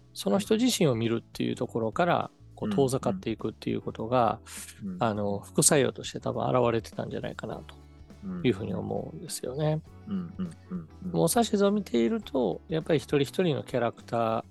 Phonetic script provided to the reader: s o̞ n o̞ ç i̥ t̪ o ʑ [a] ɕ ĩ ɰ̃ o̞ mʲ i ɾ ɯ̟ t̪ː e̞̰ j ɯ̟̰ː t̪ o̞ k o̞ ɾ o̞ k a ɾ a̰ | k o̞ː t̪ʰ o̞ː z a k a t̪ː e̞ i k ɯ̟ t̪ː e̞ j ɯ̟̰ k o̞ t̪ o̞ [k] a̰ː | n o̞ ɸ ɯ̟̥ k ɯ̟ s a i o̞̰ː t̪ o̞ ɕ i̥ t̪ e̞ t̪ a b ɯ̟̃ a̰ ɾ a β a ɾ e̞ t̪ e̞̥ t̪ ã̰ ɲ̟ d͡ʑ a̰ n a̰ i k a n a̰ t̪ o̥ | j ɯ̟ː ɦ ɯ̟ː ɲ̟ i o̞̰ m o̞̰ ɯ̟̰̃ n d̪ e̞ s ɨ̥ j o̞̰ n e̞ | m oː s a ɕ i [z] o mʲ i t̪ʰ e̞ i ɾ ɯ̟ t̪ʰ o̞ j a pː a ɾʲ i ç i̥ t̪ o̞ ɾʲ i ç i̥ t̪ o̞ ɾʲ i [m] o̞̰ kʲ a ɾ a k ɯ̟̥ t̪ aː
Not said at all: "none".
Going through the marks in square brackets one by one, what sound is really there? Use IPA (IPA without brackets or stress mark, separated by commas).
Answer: i, ɡ, z, n